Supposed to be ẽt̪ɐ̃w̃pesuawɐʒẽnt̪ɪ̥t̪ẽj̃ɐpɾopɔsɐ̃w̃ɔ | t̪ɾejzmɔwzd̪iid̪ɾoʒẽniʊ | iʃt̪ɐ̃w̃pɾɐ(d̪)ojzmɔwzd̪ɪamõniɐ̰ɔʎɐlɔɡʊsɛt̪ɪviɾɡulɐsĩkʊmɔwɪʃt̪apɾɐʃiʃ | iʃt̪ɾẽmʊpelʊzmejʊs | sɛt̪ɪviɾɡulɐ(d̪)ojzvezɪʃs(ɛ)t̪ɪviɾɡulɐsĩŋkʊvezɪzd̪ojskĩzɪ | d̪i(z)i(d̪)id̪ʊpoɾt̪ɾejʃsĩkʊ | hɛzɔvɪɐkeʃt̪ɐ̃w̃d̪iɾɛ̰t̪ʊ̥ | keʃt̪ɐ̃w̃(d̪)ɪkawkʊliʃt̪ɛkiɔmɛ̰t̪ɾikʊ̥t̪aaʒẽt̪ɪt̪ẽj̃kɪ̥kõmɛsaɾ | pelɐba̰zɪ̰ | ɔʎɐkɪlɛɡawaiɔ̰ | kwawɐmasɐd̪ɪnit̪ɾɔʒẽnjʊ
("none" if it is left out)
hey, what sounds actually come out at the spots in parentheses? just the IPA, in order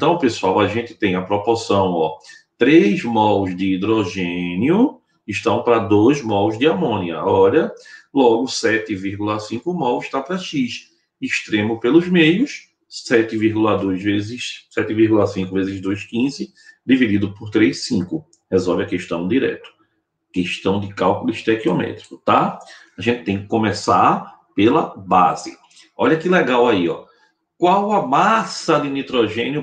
d̪, d̪, ɛ, v, d̪, d̪

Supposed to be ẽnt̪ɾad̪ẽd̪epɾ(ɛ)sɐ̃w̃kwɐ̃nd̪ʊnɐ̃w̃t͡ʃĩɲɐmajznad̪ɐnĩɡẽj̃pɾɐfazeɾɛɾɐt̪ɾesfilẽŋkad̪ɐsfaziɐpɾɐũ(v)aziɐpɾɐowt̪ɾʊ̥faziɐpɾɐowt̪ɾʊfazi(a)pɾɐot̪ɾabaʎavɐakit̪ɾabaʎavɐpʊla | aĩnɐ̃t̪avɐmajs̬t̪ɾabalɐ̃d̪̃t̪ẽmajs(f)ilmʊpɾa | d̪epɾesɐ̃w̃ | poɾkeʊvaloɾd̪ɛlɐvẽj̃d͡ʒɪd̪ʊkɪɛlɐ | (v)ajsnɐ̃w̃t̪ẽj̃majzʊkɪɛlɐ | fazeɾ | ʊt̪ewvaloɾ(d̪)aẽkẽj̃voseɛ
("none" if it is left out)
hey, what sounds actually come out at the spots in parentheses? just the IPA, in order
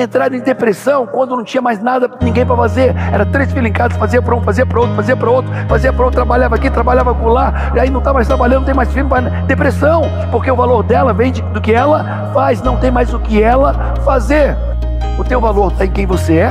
e, f, ɐ, f, f, t̪

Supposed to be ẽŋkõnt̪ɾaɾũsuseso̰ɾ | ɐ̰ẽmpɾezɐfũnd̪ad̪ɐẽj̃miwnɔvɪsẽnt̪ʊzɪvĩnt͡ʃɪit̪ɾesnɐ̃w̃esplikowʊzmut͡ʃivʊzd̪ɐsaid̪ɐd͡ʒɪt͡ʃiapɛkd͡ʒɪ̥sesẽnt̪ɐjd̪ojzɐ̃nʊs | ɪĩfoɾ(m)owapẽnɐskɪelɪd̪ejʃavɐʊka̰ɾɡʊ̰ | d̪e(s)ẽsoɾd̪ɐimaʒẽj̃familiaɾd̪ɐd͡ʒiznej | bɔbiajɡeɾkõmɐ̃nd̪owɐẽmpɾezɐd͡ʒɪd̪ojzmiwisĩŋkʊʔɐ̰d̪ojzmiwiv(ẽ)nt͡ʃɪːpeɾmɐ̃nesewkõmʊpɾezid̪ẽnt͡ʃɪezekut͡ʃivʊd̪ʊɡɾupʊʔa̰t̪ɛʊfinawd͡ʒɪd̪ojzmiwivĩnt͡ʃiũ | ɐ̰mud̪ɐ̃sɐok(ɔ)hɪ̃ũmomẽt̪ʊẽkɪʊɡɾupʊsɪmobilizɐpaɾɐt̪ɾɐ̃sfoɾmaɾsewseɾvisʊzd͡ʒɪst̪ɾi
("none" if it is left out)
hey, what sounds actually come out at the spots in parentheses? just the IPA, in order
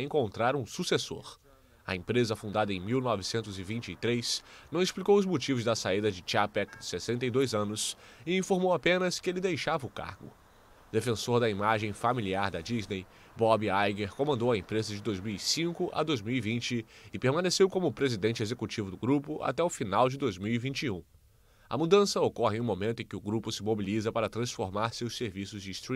m, f, ĩ, ɔ

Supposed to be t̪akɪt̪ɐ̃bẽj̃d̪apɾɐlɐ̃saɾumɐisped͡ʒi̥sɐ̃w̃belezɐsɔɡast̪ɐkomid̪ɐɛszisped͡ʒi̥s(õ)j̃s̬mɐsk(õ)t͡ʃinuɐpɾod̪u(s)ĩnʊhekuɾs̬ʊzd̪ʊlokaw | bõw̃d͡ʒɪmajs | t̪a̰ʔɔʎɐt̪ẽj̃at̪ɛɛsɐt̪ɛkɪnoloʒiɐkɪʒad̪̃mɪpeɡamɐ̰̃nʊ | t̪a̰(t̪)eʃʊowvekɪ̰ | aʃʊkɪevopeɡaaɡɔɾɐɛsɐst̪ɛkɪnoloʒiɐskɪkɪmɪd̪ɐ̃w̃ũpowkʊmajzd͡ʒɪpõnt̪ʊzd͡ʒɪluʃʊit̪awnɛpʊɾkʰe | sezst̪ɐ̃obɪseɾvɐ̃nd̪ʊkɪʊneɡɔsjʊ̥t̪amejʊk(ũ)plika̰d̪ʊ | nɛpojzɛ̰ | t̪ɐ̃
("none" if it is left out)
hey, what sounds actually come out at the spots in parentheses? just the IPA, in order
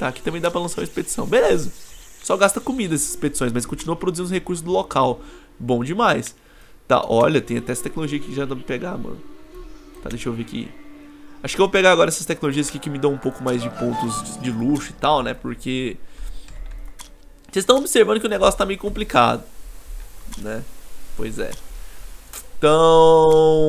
õ, õ, z, d̪, õ

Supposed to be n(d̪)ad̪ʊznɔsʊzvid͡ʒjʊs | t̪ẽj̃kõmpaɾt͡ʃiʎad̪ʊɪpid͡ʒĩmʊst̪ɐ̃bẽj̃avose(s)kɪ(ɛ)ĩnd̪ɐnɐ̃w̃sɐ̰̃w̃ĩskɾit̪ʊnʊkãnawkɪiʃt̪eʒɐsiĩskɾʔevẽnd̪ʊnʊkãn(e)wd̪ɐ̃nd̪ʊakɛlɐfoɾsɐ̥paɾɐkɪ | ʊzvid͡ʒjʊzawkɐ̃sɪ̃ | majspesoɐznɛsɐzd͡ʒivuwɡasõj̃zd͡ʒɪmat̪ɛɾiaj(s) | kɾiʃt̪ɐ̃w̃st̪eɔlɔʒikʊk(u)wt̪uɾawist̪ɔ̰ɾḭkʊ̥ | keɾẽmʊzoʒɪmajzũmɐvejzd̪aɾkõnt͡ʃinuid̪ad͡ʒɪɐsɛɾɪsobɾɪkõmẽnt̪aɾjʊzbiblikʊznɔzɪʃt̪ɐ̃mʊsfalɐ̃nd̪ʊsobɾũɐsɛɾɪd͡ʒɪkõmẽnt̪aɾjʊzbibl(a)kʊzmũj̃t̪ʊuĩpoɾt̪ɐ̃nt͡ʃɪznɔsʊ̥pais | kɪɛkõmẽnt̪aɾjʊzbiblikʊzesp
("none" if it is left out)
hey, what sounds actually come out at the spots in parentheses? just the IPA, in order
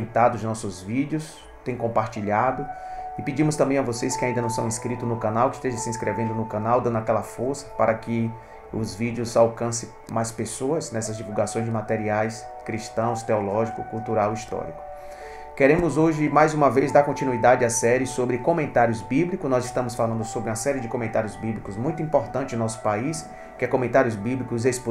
t̪, s, a, a, s, u, i

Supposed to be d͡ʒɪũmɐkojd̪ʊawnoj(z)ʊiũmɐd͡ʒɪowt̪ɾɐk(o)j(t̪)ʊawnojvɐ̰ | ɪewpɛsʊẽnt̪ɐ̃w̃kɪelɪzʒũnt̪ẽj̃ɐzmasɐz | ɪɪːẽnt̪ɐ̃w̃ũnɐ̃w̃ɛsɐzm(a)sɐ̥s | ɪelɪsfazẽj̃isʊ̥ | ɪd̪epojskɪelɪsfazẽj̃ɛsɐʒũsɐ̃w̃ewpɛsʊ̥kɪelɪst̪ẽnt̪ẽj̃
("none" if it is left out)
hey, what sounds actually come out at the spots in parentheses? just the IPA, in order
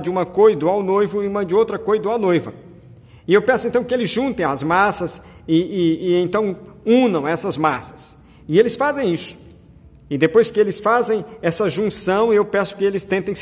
v, o, d̪, a

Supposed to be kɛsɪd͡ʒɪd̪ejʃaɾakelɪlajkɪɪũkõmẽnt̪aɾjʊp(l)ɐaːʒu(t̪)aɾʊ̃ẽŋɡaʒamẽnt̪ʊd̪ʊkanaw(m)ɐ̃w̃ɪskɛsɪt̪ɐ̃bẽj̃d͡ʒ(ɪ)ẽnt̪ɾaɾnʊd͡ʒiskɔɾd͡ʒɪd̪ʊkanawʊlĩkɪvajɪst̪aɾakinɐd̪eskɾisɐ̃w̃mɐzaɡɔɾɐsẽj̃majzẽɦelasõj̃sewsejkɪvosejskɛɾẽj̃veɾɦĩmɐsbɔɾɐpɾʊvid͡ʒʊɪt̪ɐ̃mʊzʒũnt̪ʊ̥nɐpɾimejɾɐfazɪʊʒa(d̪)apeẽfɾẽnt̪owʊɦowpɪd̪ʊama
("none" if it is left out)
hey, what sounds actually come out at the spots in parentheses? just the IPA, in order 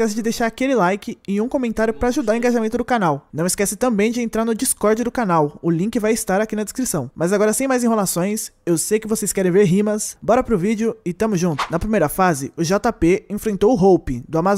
ɾ, d̪, n, ɪ, t̪

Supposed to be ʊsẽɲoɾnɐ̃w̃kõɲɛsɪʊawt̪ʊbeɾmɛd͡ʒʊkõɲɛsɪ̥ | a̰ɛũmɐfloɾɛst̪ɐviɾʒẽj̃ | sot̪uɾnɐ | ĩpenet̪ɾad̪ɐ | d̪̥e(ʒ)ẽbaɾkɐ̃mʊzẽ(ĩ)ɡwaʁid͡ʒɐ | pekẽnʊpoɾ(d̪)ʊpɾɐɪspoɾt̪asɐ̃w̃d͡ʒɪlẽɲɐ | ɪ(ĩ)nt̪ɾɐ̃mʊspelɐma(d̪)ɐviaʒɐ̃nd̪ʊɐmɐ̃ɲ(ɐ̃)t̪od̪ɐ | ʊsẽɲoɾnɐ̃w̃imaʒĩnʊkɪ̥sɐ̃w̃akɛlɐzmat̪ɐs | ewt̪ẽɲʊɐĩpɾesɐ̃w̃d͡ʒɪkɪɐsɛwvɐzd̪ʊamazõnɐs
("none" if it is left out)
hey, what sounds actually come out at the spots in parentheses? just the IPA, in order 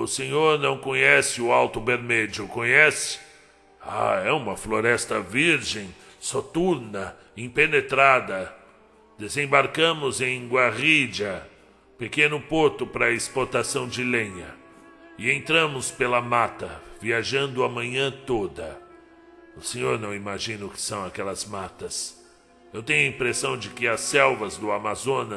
z, j̃, t̪, ẽ, t̪, ɐ̃

